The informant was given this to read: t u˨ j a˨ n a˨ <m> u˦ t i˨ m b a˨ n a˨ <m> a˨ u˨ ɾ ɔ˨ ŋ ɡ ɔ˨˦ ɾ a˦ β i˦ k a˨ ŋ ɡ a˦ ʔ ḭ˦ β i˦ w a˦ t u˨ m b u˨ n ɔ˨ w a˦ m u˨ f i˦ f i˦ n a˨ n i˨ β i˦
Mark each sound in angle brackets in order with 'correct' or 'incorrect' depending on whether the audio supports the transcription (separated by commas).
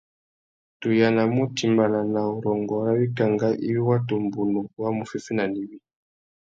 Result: correct, incorrect